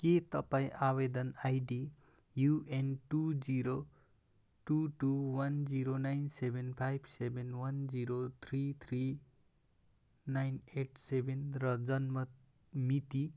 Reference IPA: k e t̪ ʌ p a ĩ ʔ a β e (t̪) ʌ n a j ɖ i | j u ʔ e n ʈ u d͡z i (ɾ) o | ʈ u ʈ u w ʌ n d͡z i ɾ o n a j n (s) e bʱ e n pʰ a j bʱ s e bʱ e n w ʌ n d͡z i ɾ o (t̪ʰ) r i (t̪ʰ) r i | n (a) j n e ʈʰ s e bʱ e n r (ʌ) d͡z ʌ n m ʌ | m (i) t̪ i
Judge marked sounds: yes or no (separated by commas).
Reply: no, yes, yes, yes, yes, yes, yes, yes